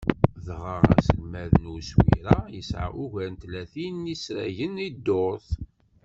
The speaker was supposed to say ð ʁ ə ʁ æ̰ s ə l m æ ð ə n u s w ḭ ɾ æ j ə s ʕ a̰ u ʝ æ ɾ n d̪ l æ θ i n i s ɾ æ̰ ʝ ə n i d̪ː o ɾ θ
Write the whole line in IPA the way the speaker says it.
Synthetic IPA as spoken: ð ʁ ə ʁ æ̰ s ə l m æ ð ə n u s w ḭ ɾ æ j ə s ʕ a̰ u ʝ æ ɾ n t̪ l æ θ i n i s ɾ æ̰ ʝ ə n i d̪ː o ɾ θ